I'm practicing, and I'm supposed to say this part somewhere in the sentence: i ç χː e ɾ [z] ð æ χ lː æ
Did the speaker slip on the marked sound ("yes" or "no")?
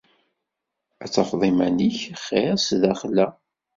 yes